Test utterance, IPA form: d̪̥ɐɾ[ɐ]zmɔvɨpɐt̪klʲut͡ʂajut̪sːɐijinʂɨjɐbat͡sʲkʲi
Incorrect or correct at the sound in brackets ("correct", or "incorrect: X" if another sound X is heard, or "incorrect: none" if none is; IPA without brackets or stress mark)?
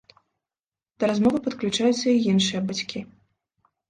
incorrect: a